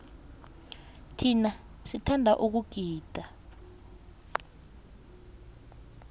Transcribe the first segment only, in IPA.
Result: tʰ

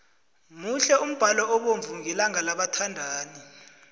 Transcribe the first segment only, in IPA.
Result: m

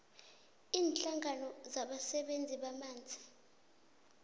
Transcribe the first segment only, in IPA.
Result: iː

